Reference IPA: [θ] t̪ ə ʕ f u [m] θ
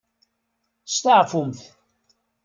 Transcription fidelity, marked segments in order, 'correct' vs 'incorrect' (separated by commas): incorrect, correct